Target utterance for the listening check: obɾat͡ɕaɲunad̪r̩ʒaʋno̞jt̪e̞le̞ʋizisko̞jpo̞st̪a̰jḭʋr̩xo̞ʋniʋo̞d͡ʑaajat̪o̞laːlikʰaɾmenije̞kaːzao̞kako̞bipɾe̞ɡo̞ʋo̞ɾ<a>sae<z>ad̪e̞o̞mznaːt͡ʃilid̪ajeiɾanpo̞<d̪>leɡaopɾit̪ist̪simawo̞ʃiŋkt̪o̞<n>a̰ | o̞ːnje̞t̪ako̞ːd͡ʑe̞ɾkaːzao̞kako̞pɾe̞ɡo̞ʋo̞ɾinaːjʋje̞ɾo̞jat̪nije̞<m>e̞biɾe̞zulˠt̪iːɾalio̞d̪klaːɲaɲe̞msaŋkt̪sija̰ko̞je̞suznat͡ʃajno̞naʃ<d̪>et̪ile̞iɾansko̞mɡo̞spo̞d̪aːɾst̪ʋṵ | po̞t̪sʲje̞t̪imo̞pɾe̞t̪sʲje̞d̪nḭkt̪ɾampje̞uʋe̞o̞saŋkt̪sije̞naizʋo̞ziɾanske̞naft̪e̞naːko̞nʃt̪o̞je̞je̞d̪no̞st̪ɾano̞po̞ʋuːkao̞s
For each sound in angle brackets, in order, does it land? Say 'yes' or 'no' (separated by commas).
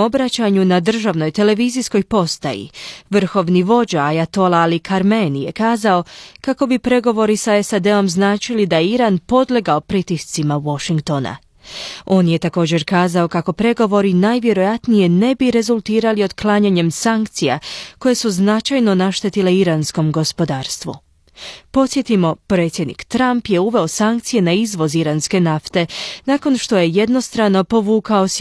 no, no, yes, yes, no, no